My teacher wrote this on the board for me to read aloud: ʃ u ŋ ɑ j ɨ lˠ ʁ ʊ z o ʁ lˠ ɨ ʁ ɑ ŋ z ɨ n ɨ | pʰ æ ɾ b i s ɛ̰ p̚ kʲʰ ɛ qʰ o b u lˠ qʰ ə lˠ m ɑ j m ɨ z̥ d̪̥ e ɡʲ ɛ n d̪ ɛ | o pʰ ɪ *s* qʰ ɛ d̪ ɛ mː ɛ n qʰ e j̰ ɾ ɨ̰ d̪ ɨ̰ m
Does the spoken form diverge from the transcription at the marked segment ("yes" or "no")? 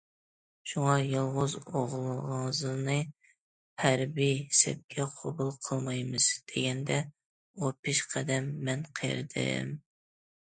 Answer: yes